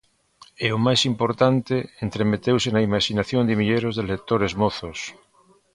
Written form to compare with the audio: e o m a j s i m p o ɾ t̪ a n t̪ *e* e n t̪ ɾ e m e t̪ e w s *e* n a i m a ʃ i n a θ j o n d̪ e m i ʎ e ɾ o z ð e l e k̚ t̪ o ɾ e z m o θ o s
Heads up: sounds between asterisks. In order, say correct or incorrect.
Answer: correct, correct

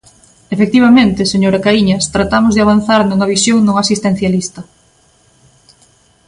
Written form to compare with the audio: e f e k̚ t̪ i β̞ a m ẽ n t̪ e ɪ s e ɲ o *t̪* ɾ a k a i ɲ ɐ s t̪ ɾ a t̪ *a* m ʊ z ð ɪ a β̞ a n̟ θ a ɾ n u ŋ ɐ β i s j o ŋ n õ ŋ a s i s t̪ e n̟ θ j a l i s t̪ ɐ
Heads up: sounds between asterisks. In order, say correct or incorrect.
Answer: incorrect, correct

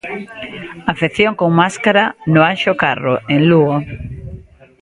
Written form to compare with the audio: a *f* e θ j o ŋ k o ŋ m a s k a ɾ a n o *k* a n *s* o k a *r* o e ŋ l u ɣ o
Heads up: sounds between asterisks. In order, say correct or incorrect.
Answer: correct, incorrect, incorrect, correct

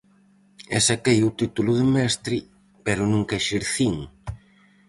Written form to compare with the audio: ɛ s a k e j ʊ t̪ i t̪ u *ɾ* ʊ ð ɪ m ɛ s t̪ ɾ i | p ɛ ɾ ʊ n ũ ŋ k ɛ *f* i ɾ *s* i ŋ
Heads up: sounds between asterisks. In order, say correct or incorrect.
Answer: incorrect, incorrect, incorrect

